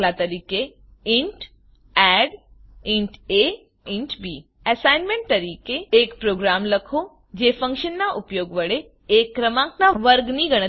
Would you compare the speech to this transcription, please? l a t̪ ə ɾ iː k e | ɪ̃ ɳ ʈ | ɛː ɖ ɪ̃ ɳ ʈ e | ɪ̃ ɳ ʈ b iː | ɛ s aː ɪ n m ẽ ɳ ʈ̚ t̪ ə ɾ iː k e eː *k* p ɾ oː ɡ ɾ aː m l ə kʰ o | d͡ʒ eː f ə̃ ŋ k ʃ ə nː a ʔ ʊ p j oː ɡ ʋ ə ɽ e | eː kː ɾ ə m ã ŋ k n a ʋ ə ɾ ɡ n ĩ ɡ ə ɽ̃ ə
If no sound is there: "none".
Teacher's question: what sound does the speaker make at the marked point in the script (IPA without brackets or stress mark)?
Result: k